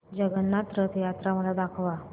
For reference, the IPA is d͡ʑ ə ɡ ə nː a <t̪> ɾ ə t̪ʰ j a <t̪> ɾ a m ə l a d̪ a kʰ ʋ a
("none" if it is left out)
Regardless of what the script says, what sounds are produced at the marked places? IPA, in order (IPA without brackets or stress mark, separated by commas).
t̪, t̪